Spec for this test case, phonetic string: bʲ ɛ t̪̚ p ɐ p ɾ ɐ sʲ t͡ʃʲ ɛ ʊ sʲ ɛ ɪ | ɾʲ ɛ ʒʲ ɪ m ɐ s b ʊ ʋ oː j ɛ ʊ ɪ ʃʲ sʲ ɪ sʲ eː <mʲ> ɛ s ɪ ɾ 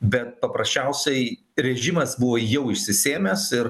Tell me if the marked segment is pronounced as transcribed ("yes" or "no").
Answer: yes